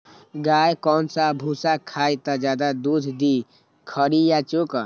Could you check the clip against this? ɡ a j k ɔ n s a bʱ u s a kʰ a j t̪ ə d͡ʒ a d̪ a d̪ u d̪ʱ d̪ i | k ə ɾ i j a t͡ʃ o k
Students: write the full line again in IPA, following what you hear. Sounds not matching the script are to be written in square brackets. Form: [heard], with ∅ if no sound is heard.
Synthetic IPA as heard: ɡ a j k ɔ n s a bʱ u s a kʰ a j t̪ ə d͡ʒ a d̪ a d̪ u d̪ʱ d̪ i | [kʰ] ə ɾ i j a t͡ʃ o k

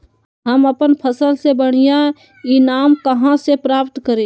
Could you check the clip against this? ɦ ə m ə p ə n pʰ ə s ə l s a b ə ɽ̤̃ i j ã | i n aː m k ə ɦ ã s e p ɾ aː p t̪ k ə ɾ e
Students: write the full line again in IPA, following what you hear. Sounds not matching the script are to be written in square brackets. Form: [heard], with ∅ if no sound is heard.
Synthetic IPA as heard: ɦ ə m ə p ə n pʰ ə s ə l s [e] b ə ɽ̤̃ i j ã | i n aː m k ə ɦ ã s e p ɾ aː p t̪ k ə ɾ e

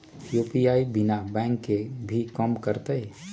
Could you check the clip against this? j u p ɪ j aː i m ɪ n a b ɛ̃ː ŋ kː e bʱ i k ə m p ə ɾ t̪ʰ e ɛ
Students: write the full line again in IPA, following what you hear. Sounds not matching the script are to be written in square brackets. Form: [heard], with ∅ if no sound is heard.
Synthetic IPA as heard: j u p [i] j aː i [b] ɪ n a b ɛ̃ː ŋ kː e bʱ i k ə m [k] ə ɾ [t̪] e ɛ

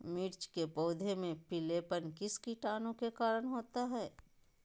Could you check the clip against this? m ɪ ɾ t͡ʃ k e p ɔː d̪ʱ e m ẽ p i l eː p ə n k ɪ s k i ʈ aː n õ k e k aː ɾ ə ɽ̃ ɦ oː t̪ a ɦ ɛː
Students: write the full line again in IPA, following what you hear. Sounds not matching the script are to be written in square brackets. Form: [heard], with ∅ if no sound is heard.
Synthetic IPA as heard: m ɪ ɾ t͡ʃ k e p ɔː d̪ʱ e m ẽ p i l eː p ə n k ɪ s k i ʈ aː n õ k e k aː ɾ ə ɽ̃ ɦ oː t̪ a ɦ ɛː

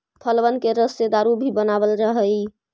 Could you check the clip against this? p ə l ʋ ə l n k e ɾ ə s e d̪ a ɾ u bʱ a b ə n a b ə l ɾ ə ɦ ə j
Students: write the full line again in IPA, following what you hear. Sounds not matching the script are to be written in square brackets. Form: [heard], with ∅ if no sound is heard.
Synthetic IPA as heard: [pʰ] ə l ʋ ə [∅] n k e ɾ ə s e d̪ a ɾ u bʱ [i] b ə n a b ə l ɾ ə ɦ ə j

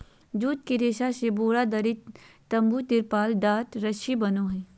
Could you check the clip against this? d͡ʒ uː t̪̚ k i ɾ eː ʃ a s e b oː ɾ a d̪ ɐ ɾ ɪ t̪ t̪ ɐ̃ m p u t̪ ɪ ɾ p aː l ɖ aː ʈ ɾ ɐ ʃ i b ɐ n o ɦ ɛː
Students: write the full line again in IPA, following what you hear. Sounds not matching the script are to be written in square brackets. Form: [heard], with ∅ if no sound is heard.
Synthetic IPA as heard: d͡ʒ uː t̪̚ k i ɾ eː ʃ a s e b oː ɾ a d̪ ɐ ɾ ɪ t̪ t̪ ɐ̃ m [b] u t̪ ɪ ɾ p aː l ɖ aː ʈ ɾ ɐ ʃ i b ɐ n o ɦ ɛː

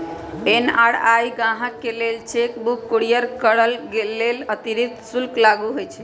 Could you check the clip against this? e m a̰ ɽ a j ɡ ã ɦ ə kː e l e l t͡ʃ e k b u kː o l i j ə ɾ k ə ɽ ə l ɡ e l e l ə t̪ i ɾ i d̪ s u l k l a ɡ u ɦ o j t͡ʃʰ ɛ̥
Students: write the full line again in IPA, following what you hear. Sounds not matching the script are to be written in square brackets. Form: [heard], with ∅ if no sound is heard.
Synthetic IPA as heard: e [n] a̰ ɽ a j ɡ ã ɦ ə kː e l e l t͡ʃ e k b u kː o [ɽ] i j ə ɾ k ə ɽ ə l ɡ e l e l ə t̪ i ɾ i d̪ s u l k l a ɡ u ɦ o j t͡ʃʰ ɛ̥

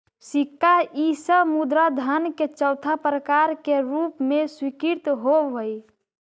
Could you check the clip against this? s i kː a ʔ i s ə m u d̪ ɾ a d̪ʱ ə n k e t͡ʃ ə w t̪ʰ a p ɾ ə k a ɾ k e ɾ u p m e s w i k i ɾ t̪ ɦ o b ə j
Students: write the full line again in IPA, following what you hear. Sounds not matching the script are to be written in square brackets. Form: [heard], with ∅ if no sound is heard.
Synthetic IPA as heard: s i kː a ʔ i s ə m u d̪ ɾ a d̪ʱ ə n k e t͡ʃ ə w t̪ʰ a p ɾ ə k a ɾ k e ɾ u p m e s w i k i ɾ t̪ ɦ o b ə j

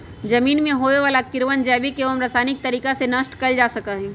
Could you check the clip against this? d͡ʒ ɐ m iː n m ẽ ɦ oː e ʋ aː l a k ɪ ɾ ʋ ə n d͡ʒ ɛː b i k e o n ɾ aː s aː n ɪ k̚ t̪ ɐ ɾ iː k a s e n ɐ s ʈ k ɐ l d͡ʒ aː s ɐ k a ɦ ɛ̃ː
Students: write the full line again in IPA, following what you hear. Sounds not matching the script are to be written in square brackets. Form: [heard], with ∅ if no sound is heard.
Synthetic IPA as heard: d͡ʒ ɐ m iː n m ẽ ɦ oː e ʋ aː l a k ɪ ɾ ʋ ə n d͡ʒ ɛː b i k e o [m] ɾ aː s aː n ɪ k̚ t̪ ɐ ɾ iː k a s e n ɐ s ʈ k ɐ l d͡ʒ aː s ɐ k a ɦ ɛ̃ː

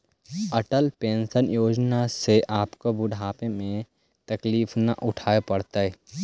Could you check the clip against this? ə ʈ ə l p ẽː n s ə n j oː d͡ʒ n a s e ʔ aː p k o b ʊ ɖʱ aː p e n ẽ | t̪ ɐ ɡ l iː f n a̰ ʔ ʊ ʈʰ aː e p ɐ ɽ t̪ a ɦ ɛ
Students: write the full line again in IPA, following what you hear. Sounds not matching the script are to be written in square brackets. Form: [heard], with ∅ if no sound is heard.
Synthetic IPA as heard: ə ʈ ə l p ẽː n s ə n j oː d͡ʒ n a s e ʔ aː p k o b ʊ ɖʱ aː p e [m] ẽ | t̪ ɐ [k] l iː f n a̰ ʔ ʊ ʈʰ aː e p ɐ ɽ t̪ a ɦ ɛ

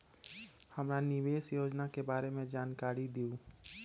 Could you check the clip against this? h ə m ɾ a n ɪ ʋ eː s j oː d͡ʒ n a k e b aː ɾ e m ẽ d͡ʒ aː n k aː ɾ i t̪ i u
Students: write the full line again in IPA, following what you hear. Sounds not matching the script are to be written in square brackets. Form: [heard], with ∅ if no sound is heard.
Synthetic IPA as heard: h ə m ɾ a n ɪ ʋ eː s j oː d͡ʒ n a k e b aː ɾ e m ẽ d͡ʒ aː n k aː ɾ i [d̪] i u

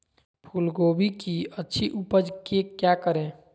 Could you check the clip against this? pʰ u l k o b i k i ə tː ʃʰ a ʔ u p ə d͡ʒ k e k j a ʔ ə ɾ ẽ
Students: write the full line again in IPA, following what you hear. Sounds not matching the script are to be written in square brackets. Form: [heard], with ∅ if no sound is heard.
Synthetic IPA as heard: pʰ u l [ɡ] o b i k i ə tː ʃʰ [i] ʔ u p ə d͡ʒ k e k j a [k] ə ɾ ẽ

